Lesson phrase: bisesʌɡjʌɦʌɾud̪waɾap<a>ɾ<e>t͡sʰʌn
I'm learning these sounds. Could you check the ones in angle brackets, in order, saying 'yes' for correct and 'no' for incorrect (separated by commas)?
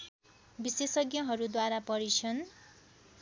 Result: no, no